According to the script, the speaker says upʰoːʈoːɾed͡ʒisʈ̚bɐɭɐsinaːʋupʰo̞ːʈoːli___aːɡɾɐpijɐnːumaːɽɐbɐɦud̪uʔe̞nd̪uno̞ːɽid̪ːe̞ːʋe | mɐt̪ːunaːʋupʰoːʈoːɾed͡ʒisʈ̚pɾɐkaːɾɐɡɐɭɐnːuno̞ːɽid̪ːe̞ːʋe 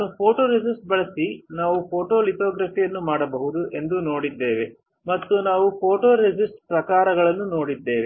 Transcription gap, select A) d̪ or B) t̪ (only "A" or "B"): B